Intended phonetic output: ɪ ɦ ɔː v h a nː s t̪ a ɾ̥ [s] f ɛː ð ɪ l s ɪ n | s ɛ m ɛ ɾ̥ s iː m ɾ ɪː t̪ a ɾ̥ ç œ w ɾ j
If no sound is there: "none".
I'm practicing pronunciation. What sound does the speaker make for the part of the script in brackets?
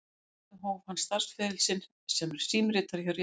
s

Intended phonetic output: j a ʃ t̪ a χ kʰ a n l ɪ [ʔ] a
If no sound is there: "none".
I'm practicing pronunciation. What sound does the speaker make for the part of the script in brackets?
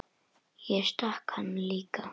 k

